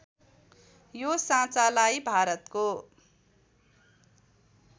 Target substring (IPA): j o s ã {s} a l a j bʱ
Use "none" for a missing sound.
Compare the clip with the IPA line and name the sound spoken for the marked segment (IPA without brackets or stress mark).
t͡s